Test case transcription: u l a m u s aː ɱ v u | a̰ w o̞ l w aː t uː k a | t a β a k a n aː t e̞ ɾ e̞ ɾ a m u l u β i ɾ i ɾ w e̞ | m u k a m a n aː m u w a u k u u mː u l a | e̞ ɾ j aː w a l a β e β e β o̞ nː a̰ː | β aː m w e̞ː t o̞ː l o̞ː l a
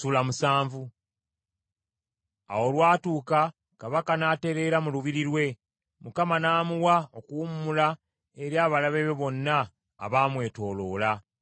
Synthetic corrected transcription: u l a m u s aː ɱ v u | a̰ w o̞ l w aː t uː k a | k a β a k a n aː t e̞ ɾ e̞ ɾ a m u l u β i ɾ i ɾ w e̞ | m u k a m a n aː m u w a o k u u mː u l a | e̞ ɾ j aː β a l a β e β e β o̞ nː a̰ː | β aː m w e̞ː t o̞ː l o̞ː l a